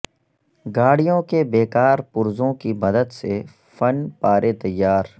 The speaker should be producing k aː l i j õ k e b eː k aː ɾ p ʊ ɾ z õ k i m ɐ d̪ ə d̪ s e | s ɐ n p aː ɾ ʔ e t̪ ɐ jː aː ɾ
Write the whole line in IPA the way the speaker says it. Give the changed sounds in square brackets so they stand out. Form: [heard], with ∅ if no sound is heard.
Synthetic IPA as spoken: [ɡ] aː [ɽ] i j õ k e b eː k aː ɾ p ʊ ɾ z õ k i m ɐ d̪ ə d̪ s e | [f] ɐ n p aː ɾ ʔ e t̪ ɐ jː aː ɾ